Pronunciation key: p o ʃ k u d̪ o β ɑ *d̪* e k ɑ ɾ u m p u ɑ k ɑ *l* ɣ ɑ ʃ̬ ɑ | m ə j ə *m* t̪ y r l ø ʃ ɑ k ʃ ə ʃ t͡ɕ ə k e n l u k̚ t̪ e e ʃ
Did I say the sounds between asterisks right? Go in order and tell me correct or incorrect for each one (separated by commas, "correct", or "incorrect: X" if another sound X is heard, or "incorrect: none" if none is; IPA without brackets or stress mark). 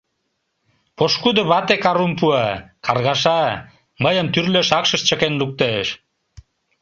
incorrect: t̪, incorrect: r, correct